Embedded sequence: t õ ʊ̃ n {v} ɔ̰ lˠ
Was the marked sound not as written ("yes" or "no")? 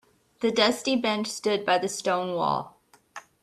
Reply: yes